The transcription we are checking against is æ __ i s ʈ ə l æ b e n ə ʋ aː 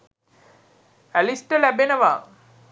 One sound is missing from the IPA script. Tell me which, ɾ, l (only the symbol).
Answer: l